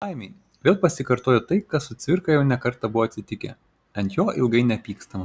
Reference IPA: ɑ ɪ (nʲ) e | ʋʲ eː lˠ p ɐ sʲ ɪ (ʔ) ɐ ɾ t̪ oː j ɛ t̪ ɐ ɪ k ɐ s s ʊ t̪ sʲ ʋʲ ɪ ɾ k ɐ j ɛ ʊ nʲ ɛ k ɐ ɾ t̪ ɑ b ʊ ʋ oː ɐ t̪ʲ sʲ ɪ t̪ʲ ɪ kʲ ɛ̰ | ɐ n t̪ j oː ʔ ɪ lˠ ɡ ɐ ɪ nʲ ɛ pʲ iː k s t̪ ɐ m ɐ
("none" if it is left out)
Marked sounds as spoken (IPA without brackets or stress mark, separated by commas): mʲ, k